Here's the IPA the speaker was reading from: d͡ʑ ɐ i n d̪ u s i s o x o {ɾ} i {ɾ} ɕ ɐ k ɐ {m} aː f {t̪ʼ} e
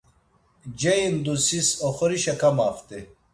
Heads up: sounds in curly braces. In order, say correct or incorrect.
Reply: correct, incorrect: none, correct, incorrect: t̪

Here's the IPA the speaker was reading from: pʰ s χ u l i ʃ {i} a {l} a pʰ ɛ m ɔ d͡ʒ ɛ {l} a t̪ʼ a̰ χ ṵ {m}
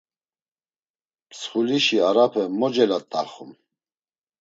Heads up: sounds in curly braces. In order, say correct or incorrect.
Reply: correct, incorrect: ɾ, correct, correct

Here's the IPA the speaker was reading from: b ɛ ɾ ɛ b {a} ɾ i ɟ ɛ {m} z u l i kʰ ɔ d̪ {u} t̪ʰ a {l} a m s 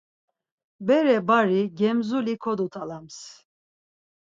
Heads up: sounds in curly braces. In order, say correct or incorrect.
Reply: correct, correct, correct, correct

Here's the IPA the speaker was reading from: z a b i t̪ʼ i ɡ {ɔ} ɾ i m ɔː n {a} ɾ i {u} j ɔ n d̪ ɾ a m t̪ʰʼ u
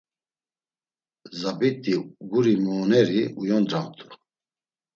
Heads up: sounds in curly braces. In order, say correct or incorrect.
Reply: incorrect: u, incorrect: ɛ, correct

